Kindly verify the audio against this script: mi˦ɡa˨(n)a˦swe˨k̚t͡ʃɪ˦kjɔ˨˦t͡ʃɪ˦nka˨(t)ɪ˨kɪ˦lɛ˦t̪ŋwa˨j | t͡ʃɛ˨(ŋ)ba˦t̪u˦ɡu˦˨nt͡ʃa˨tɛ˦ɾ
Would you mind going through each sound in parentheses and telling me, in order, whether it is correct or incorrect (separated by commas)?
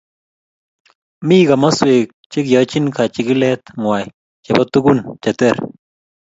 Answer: incorrect, incorrect, incorrect